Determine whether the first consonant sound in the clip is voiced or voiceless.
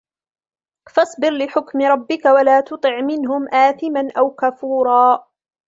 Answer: voiceless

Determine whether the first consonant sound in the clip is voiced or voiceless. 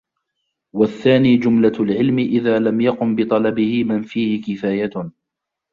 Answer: voiced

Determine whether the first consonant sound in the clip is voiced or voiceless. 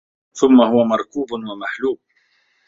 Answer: voiceless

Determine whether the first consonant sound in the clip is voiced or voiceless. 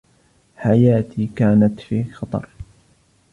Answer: voiceless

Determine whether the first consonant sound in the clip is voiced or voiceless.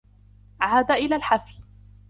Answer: voiced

